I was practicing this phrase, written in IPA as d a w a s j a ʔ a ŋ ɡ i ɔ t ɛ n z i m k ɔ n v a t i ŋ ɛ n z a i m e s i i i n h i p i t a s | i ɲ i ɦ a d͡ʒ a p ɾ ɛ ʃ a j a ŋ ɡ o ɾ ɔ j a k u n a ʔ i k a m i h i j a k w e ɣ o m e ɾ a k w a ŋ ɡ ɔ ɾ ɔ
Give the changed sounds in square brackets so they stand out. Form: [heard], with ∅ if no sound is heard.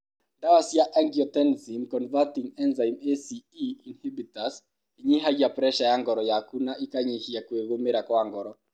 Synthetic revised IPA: d a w a s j a ʔ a ŋ ɡ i ɔ t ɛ n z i m k ɔ n v a t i ŋ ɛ n z a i m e s i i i n h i [b] i t a s | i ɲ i ɦ a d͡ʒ a p ɾ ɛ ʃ a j a ŋ ɡ [ɔ] ɾ ɔ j a k u n a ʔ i k a [ɲ] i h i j a k w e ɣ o m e ɾ a k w a ŋ ɡ ɔ ɾ ɔ